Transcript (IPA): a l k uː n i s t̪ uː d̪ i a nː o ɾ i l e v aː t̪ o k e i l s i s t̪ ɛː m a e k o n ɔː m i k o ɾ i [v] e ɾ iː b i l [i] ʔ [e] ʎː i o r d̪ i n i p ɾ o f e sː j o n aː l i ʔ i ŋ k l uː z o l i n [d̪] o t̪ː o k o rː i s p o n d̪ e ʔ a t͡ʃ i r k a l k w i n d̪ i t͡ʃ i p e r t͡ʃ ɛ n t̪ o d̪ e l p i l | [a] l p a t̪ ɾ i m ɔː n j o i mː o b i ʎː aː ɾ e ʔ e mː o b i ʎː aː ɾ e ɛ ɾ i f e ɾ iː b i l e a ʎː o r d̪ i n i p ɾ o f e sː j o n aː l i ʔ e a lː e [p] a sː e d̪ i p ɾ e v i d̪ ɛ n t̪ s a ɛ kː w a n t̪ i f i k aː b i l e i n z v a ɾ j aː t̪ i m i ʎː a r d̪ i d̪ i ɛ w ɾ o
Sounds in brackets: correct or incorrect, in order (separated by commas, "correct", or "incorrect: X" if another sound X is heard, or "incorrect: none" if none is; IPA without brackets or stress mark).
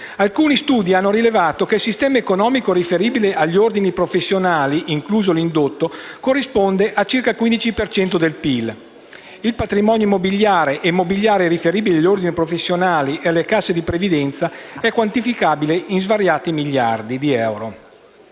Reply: incorrect: f, incorrect: e, incorrect: a, correct, incorrect: i, incorrect: k